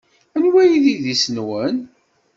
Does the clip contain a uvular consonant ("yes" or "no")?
no